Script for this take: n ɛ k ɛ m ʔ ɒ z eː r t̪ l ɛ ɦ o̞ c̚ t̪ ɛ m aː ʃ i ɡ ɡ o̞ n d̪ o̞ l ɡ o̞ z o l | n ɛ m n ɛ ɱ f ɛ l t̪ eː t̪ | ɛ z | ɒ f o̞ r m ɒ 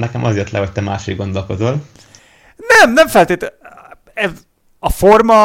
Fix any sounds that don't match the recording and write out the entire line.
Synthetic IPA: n ɛ k ɛ m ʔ ɒ z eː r t̪ l ɛ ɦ o̞ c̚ t̪ ɛ m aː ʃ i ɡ ɡ o̞ n d̪ o̞ l k o̞ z o l | n ɛ m n ɛ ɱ f ɛ l t̪ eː t̪ | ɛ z | ɒ f o̞ r m ɒ